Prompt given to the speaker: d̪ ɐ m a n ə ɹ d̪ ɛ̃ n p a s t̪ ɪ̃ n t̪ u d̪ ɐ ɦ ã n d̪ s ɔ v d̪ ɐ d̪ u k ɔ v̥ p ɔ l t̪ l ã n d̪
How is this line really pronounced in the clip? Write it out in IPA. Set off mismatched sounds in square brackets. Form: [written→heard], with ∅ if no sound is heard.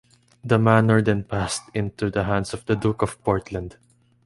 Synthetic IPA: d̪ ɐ m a n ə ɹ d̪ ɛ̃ n p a s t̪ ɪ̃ n t̪ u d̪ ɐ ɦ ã n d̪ s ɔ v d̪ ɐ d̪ u k ɔ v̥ p ɔ [l→ɹ] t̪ l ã n d̪

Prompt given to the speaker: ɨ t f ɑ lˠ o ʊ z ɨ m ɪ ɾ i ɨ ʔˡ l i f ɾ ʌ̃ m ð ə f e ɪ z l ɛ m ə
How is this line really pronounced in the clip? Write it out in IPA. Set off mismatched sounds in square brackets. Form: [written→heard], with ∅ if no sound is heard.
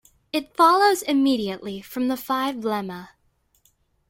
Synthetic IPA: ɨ t f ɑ lˠ o ʊ z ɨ m [ɪ→i] ɾ i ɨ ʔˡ l i f [ɾ→ɹ] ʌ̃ m ð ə f [e→a] ɪ [z→v] l ɛ m ə

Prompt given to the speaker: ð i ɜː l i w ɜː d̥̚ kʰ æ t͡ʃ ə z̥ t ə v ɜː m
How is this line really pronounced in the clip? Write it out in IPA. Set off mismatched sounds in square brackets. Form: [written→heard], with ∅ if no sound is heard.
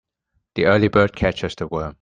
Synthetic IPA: ð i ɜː l i [w→b] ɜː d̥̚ kʰ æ t͡ʃ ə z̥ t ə [v→w] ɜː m

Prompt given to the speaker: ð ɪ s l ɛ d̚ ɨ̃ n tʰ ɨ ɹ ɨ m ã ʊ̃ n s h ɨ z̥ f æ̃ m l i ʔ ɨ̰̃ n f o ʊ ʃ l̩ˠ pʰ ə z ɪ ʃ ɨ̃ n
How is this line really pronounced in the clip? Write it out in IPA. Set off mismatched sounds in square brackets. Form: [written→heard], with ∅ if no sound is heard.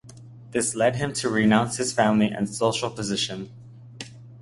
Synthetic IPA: ð ɪ s l ɛ d̚ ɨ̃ [n→m] tʰ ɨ ɹ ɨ [m→n] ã ʊ̃ n s h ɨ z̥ f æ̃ m l i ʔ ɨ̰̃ n [f→s] o ʊ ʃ l̩ˠ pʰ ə z ɪ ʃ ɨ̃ n

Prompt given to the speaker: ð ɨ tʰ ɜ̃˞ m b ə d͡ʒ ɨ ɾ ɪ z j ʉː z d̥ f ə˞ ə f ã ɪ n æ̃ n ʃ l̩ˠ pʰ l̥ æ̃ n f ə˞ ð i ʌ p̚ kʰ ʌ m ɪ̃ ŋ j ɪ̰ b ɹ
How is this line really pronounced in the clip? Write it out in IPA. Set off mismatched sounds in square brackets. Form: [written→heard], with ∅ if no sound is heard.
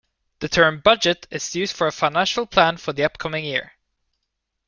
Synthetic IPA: ð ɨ tʰ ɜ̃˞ m b [ə→ʌ] d͡ʒ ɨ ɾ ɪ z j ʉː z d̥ f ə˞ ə f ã ɪ n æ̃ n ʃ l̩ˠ pʰ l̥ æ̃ n f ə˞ ð i ʌ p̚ kʰ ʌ m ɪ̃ ŋ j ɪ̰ [b→∅] ɹ

